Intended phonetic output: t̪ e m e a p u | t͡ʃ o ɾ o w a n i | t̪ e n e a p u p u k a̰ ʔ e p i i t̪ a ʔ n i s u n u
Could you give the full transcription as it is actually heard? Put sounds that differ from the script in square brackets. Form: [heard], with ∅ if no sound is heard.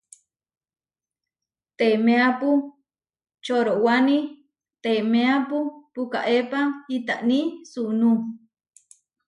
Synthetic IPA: t̪ e m e a p u | t͡ʃ o ɾ o w a n i | t̪ e [m] e a p u p u k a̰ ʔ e p [a] i t̪ a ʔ n i s u n u